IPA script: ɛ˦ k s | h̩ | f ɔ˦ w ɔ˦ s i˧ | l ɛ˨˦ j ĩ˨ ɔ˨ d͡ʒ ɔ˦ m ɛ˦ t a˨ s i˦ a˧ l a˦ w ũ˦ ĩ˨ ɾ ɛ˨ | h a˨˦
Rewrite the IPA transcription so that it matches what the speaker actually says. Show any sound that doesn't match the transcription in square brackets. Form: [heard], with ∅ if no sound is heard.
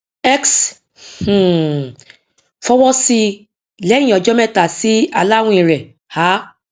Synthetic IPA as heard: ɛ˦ k s | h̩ | f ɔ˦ w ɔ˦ s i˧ | l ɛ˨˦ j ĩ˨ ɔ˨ d͡ʒ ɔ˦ m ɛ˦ t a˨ s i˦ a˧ l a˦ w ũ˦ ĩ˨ ɾ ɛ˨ | h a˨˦